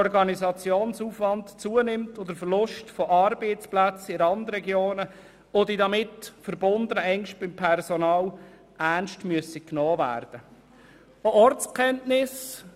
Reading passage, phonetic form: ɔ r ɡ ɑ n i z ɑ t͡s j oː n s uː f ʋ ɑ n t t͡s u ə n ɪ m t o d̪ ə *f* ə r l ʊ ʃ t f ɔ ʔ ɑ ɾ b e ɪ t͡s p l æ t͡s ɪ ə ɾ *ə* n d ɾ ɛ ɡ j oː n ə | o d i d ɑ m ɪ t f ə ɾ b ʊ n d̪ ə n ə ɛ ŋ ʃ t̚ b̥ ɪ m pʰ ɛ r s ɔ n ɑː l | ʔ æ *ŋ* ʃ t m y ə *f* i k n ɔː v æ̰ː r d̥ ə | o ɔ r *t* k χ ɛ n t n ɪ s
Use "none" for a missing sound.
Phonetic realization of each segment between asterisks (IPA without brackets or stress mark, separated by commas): f, ɑ, n, s, t͡s